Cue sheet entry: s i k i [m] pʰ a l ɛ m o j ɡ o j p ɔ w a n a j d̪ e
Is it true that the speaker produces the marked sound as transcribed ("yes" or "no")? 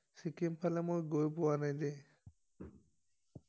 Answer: yes